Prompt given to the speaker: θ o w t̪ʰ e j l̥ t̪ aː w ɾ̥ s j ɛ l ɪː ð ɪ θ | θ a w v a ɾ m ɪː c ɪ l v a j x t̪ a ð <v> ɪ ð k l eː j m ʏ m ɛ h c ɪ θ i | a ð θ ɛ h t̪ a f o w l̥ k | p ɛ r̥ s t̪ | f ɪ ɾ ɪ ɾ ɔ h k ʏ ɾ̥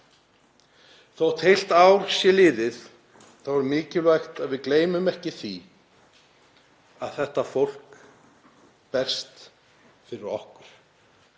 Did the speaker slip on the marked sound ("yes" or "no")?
no